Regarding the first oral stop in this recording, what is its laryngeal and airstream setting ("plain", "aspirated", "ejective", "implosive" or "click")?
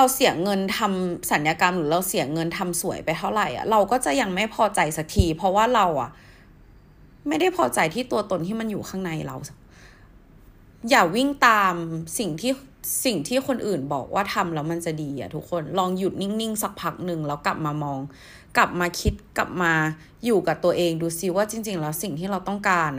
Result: aspirated